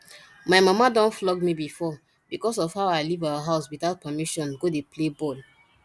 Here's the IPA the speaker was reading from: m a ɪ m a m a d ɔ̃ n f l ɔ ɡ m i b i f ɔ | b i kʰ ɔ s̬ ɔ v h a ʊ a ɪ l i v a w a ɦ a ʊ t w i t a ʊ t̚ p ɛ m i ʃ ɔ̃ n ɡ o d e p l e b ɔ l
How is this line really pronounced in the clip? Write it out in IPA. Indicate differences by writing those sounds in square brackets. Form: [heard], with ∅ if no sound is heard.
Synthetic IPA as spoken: m a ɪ m a m a d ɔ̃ n f l ɔ ɡ m i b i f ɔ | b i [k] ɔ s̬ ɔ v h a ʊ a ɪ l i v a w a ɦ a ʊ [s] w i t a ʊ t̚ p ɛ m i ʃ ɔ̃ n ɡ o d e p l e b ɔ l